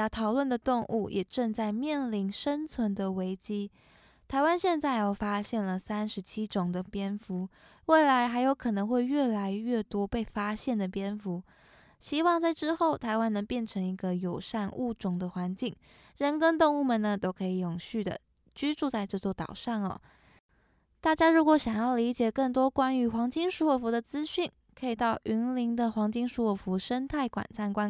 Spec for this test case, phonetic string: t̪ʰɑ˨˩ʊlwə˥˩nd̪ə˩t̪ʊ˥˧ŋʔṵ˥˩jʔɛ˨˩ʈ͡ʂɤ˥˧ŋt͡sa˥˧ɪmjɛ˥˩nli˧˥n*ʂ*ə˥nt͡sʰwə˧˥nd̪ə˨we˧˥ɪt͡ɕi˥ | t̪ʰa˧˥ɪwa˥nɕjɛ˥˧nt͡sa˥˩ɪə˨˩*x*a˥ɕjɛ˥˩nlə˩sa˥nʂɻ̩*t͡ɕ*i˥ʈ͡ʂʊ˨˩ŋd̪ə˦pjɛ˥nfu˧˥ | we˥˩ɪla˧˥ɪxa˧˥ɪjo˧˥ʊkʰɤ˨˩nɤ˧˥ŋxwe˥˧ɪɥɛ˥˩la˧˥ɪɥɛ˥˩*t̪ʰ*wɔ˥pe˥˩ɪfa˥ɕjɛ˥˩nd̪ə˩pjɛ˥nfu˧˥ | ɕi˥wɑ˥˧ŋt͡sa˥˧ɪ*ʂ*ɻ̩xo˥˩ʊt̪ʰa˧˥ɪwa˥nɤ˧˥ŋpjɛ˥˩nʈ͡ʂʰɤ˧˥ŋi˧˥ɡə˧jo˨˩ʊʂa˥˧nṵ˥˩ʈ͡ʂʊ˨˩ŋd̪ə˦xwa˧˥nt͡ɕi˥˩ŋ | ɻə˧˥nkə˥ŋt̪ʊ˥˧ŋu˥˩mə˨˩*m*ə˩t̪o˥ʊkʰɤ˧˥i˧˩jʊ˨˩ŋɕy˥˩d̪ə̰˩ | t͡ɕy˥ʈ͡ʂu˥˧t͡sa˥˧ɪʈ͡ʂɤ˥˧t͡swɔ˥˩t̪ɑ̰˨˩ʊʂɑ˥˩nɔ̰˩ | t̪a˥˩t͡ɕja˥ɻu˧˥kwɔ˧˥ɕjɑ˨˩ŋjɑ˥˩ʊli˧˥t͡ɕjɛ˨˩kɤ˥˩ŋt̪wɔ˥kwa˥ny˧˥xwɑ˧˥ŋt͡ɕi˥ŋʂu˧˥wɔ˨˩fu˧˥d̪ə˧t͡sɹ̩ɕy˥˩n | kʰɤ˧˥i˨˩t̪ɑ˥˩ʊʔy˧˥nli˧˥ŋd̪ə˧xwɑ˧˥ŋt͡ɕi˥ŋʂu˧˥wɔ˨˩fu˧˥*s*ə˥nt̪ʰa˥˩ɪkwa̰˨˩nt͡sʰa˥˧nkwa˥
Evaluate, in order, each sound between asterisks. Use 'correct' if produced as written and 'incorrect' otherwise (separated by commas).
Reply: correct, incorrect, incorrect, incorrect, incorrect, incorrect, incorrect